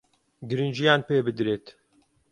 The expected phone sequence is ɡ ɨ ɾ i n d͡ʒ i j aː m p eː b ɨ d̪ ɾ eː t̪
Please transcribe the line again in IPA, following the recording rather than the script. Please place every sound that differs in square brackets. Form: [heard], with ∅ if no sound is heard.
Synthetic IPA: ɡ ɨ ɾ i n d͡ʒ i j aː [n] p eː b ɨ d̪ ɾ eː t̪